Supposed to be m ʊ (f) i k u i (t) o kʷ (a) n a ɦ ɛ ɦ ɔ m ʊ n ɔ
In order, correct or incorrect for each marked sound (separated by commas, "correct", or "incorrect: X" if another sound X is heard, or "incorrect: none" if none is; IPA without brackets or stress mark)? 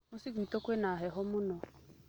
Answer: incorrect: s, correct, incorrect: e